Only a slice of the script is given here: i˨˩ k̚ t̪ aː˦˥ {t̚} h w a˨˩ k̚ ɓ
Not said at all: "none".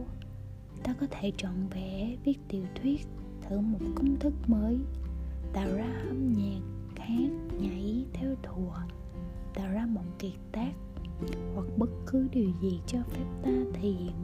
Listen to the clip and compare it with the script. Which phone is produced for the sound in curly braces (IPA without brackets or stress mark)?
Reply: k̚